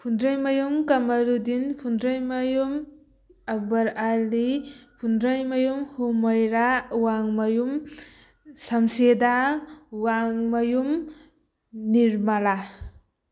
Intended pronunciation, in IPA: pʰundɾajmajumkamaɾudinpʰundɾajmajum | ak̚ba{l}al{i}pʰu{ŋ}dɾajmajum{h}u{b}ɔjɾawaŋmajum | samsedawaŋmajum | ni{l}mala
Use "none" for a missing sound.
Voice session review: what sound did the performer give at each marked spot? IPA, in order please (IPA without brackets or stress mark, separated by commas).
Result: ɾ, i, n, h, m, ɾ